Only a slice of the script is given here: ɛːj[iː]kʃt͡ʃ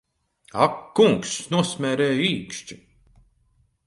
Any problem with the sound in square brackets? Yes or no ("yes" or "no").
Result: no